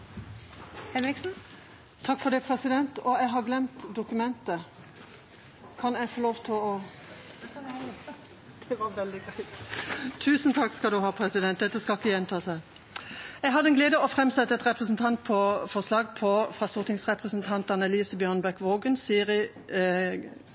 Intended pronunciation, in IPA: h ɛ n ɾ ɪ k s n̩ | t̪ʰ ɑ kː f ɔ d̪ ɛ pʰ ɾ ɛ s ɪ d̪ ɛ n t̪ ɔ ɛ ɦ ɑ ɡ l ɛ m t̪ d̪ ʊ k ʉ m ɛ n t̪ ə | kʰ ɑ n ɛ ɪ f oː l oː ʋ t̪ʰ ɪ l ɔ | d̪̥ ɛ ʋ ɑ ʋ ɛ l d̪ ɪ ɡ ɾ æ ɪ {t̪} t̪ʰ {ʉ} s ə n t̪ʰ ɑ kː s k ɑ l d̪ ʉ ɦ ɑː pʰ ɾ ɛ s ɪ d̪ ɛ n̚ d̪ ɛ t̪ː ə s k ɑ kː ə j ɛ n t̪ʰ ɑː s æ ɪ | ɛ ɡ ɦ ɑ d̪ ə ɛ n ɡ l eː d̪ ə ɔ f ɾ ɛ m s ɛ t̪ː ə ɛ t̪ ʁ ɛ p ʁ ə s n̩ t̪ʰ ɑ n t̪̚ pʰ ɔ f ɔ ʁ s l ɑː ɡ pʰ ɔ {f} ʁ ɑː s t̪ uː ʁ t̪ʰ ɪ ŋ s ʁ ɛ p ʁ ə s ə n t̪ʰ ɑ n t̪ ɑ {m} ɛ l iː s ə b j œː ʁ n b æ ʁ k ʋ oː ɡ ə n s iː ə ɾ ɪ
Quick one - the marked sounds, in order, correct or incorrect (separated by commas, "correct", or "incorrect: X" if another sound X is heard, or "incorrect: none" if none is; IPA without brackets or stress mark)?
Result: correct, incorrect: ʉː, correct, incorrect: n